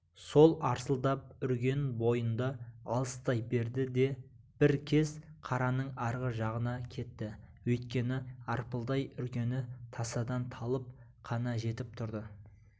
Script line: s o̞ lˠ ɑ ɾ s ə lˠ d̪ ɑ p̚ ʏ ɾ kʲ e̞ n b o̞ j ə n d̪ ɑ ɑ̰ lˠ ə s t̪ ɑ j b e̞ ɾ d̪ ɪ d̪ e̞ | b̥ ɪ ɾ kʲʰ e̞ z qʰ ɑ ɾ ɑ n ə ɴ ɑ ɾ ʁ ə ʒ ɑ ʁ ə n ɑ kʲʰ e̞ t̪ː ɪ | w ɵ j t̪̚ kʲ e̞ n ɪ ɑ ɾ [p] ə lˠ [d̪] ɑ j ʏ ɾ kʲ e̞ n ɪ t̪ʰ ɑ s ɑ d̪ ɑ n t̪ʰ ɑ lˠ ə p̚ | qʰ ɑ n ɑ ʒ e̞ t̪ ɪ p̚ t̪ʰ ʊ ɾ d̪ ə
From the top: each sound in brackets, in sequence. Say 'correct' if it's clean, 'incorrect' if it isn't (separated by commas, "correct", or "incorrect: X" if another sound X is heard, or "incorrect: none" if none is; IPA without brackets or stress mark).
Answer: correct, correct